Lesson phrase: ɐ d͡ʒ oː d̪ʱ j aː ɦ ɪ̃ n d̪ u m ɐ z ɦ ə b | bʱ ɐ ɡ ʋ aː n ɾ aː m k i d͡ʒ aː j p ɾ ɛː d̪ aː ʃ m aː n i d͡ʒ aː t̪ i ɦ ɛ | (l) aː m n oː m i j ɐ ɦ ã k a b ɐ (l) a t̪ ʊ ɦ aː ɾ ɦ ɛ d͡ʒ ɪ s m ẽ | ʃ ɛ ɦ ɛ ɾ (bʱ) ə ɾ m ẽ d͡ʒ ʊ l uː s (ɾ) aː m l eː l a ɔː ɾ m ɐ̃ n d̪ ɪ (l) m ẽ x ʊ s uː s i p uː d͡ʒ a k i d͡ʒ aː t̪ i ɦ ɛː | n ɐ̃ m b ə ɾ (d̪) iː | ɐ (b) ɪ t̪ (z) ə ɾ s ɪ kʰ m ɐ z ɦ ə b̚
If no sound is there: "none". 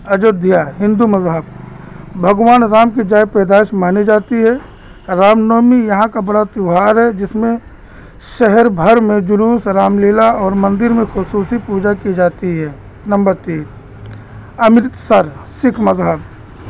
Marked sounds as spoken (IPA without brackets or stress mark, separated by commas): ɾ, ɽ, bʱ, ɾ, ɾ, t̪, m, s